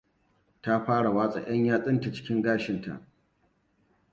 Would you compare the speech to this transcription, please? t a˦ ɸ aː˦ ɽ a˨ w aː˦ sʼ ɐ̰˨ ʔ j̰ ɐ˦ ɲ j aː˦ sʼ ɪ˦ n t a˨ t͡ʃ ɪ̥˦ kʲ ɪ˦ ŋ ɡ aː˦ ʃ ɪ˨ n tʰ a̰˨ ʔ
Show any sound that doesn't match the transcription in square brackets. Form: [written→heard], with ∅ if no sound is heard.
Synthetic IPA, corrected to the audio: t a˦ ɸ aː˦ ɽ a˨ w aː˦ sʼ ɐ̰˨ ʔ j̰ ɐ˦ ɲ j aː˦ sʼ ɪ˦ n t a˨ t͡ʃ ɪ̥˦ kʲ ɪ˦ ŋ ɡ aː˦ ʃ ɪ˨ n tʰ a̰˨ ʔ